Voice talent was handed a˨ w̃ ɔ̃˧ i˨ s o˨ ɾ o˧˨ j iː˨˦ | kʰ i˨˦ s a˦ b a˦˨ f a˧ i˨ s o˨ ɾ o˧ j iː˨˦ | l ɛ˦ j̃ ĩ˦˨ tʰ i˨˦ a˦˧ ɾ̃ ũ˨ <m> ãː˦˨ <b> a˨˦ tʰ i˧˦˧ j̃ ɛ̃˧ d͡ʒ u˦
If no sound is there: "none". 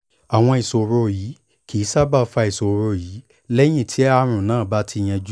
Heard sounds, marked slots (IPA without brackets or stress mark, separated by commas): n, b